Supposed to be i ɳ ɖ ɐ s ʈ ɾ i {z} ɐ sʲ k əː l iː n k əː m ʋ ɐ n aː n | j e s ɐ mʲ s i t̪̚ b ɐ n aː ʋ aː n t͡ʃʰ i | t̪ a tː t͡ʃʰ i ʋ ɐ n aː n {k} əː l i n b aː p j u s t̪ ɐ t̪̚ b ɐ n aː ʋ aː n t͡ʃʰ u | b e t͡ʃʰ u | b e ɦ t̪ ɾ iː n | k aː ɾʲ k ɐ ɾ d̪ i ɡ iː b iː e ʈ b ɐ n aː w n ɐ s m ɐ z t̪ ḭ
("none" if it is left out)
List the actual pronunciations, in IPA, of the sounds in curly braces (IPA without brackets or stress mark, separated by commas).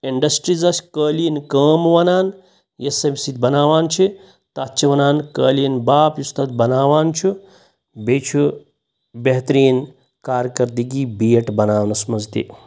z, k